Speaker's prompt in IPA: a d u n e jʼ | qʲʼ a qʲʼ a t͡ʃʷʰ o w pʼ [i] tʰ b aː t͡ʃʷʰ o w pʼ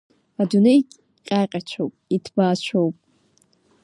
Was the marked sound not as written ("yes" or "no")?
no